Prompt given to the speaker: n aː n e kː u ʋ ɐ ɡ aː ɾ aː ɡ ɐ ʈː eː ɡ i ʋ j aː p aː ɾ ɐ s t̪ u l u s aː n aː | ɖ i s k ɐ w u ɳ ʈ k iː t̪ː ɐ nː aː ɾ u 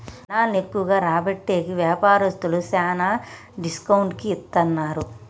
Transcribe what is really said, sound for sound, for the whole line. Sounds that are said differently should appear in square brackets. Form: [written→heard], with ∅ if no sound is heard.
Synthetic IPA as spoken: n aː n e kː u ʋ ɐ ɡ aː ɾ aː [ɡ→b] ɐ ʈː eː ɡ i ʋ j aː p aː ɾ ɐ s t̪ u l u s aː n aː | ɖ i s k ɐ w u ɳ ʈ k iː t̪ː ɐ nː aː ɾ u